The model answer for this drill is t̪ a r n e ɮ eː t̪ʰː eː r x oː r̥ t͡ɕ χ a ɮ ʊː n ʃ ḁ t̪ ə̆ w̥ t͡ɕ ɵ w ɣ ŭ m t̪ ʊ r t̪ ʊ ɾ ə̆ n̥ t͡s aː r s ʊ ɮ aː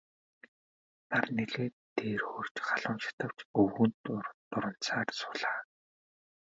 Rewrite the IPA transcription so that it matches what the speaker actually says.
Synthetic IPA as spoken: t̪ a r n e ɮ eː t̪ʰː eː r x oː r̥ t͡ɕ χ a ɮ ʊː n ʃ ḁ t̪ ə̆ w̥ t͡ɕ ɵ w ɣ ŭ n t̪ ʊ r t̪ ʊ ɾ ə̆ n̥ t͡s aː r s ʊ ɮ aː

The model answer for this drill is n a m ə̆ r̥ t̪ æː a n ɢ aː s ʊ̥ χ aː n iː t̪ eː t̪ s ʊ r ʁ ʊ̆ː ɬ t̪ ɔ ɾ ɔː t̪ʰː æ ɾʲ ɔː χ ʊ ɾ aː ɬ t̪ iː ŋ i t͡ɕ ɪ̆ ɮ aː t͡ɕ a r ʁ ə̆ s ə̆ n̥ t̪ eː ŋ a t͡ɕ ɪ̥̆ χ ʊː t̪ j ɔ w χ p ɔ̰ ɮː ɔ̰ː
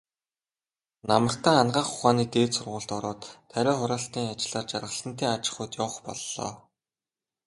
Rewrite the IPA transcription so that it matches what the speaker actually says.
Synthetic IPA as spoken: n a m ə̆ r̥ t̪ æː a n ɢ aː χ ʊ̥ χ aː n iː t̪ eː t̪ s ʊ r ʁ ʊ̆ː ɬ t̪ ɔ ɾ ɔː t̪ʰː æ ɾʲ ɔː χ ʊ ɾ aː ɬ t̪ iː ŋ a t͡ɕ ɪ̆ ɮ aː t͡ɕ a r ʁ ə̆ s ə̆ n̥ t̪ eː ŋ a t͡ɕ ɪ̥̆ χ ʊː t̪ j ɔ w χ p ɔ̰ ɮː ɔ̰ː

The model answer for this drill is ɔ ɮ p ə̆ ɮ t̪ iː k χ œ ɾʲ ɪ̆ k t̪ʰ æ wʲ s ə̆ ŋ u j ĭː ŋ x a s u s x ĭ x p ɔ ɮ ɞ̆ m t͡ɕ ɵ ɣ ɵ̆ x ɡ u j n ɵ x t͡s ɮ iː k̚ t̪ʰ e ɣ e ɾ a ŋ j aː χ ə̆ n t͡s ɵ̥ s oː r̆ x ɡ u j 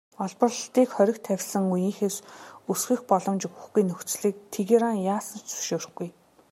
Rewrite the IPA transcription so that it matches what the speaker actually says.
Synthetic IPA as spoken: ɔ ɮ p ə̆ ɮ t̪ iː k χ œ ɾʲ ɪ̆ k t̪ʰ æ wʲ s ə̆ ŋ u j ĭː ŋ x e s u s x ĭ x p ɔ ɮ ɞ̆ m t͡ɕ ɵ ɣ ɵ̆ x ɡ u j n ɵ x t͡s ɮ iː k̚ t̪ʰ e ɣ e ɾ a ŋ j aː s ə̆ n t͡s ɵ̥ ʃ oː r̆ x ɡ u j

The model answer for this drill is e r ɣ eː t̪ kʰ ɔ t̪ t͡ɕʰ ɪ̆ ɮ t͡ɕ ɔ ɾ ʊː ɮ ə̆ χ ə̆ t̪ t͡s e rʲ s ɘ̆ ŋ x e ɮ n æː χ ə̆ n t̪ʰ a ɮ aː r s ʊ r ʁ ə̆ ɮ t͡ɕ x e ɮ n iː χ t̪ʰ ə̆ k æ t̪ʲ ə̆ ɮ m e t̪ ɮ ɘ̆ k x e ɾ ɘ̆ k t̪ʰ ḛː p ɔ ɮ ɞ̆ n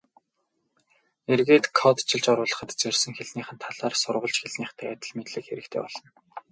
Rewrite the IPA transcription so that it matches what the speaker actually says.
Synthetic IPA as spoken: e r ɣ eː t̪ kʰ ɔ t̪ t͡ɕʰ ɪ̆ ɮ t͡ɕ ɔ ɾ ʊː ɮ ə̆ χ ə̆ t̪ t͡s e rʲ s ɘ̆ ŋ x e ɮ n iː χ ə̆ n t̪ʰ a ɮ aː r s ʊ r ʁ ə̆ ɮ t͡ɕ x e ɮ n iː χ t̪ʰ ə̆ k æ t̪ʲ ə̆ ɮ m e t̪ ɮ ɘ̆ k x e ɾ ɘ̆ k t̪ʰ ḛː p ɔ ɮ ɞ̆ n

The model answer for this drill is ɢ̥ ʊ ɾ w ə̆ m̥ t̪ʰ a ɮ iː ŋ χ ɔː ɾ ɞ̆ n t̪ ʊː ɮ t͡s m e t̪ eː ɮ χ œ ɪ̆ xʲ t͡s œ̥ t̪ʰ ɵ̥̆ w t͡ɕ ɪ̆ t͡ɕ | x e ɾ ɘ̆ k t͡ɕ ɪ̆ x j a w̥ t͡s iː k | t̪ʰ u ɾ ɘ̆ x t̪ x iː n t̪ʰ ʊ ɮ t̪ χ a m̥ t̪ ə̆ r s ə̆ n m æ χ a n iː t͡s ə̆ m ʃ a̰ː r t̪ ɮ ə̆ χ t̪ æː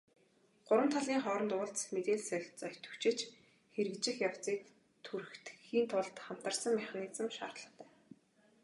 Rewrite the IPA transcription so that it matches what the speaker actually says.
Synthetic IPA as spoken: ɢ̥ ʊ ɾ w ə̆ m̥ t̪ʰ a ɮ iː ŋ χ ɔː ɾ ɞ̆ n t̪ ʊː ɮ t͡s m e t̪ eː ɮ s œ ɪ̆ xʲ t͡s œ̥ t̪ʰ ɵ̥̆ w t͡ɕ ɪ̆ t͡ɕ | x e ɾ ɘ̆ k t͡ɕ ɪ̆ x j a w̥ t͡s iː k | t̪ʰ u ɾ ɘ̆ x t̪ x iː n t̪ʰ ʊ ɮ t̪ χ a m̥ t̪ ə̆ r s ə̆ ŋ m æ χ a n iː t͡s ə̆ m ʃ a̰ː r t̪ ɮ ə̆ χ t̪ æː

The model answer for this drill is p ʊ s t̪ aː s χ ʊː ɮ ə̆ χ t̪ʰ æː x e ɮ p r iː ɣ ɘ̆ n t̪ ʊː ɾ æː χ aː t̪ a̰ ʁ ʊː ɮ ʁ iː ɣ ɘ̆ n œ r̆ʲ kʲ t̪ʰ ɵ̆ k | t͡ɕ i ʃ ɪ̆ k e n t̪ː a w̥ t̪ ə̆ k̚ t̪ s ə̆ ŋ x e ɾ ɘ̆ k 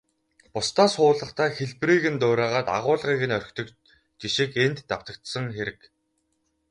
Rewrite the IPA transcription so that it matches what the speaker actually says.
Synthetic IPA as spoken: p ʊ s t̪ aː s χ ʊː ɮ ə̆ χ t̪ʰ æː x e ɮ p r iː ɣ ɘ̆ n t̪ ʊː ɾ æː ʁ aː t̪ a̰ ʁ ʊː ɮ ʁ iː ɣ ɘ̆ n œ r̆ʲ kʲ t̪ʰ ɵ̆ k | t͡ɕ i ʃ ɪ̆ k e n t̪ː a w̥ t̪ ə̆ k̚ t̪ s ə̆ ŋ x e ɾ ɘ̆ k

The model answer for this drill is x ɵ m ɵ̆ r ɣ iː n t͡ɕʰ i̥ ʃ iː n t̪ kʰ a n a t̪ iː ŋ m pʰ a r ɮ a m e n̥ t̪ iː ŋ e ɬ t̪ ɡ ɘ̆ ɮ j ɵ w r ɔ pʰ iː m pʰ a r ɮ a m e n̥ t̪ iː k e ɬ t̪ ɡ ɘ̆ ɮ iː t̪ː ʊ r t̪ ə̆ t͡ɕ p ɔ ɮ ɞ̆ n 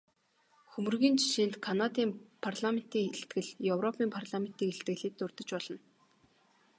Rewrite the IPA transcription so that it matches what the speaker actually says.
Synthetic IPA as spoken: x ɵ m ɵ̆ r ɣ iː n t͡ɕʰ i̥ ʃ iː n t̪ kʰ a n a t̪ iː m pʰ a r ɮ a m e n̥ t̪ iː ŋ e ɬ t̪ ɡ ɘ̆ ɮ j ɵ w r ɔ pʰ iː m pʰ a r ɮ a m e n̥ t̪ iː k e ɬ t̪ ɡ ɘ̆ ɮ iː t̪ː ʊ r t̪ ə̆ t͡ɕ p ɔ ɮ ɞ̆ n

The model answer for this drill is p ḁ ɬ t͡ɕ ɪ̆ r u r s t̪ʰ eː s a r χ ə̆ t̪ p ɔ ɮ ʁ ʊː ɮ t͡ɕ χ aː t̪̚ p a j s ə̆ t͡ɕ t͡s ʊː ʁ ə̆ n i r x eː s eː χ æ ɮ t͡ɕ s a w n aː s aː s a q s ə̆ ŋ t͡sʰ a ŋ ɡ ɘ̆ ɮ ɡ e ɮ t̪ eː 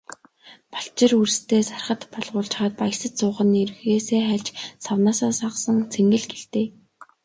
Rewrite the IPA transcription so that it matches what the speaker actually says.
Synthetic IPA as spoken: p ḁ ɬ t͡ɕ ɪ̆ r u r s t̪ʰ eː s a r χ ə̆ t̪ p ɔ ɮ ʁ ʊː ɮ t͡ɕ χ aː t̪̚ p a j s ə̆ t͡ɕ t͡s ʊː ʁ ə̆ n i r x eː s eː χ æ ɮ t͡ɕ s a w n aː s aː s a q s ə̆ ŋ t͡sʰ e ŋ ɡ ɘ̆ ɮ ɡ e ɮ t̪ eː

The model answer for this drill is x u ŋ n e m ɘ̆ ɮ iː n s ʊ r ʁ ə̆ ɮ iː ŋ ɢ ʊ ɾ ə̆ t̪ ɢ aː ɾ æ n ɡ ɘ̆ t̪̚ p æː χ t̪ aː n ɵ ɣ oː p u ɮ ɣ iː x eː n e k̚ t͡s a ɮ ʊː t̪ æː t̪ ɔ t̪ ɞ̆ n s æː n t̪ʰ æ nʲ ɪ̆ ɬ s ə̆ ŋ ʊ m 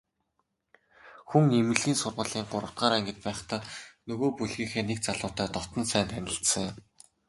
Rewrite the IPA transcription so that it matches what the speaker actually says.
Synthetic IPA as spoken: x u ŋ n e m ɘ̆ ɮ iː n s ʊ r ʁ ə̆ ɮ iː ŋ ɢ ʊ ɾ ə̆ t̪ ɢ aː ɾ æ ŋ ɡ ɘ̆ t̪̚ p æː χ t̪ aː n ɵ ɣ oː p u ɮ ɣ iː x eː n e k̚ t͡s a ɮ ʊː t̪ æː t̪ ɔ t̪ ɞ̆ n s æː n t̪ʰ æ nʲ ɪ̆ ɬ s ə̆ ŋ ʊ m

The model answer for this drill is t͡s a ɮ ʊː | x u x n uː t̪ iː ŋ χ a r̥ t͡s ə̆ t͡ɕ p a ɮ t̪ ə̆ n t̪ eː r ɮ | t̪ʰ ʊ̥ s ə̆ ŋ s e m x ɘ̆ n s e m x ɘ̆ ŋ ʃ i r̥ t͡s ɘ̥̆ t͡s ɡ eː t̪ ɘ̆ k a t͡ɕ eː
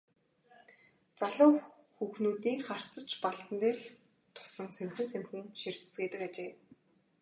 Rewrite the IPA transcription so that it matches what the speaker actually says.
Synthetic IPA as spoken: t͡s a ɮ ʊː | x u x n uː t̪ iː ŋ χ a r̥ t͡s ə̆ t͡ɕ p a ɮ t̪ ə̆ n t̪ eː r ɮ | t̪ʰ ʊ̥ s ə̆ ŋ s e m x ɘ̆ n s e m x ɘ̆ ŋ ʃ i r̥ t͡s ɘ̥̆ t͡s ɡ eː t̪ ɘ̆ k a t͡ɕ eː

